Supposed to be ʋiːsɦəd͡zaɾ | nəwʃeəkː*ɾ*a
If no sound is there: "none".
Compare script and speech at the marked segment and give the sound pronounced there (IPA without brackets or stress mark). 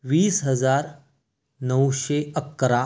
ɾ